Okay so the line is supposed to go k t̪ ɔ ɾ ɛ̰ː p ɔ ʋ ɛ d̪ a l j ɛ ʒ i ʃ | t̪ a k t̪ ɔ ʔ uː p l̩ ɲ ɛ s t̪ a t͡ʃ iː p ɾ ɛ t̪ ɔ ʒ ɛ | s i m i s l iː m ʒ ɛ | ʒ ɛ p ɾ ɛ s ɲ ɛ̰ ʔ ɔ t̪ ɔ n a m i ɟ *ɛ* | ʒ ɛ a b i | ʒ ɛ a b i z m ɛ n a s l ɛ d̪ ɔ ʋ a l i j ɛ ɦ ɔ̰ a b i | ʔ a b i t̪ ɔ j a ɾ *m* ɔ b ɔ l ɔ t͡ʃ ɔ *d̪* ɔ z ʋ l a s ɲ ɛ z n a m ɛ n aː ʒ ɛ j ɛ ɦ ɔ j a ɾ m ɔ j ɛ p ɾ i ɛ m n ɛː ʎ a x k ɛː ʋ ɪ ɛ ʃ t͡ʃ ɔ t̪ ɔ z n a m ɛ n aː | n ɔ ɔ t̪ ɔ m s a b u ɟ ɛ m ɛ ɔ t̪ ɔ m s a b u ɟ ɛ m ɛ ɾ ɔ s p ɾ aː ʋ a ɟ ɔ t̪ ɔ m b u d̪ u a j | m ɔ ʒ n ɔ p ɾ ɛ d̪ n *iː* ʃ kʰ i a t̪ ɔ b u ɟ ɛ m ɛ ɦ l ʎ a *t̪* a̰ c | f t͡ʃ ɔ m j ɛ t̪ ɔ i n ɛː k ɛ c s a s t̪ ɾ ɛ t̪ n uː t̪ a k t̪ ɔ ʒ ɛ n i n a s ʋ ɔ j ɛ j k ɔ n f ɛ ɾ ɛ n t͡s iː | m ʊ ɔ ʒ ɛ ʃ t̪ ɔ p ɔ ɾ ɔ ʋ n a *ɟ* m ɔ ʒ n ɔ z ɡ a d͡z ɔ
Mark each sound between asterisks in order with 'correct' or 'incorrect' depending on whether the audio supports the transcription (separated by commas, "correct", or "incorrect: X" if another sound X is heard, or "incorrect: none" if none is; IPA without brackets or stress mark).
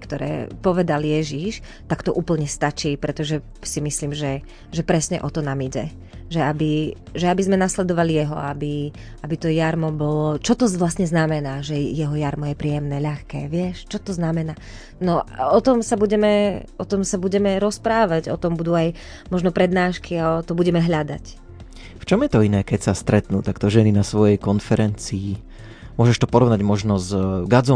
correct, correct, incorrect: t̪, incorrect: aː, incorrect: d̪, correct